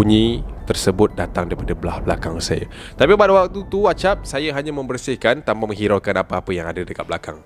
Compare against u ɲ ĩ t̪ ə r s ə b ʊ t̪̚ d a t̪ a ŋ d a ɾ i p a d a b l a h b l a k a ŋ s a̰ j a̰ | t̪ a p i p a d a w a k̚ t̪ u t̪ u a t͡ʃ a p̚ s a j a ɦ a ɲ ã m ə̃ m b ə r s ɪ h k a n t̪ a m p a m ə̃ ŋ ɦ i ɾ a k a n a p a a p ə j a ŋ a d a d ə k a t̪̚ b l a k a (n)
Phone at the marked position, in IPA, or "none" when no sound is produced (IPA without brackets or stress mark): ŋ